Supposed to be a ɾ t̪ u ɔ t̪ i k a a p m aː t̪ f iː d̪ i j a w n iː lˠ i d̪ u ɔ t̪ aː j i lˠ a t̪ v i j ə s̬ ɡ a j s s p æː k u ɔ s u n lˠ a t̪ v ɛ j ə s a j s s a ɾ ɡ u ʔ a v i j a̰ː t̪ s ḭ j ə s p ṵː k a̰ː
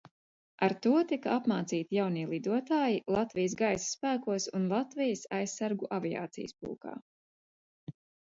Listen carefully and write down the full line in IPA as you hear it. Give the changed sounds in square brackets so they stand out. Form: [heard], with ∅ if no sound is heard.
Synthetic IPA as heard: a ɾ t̪ u ɔ t̪ i k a a p m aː t̪ [s] iː [t̪] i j a w n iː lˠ i d̪ u ɔ t̪ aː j i lˠ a t̪ v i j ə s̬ ɡ a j s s p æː k u ɔ s u n lˠ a t̪ v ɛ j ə s a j s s a ɾ ɡ u ʔ a v i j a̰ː t̪ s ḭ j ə s p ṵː k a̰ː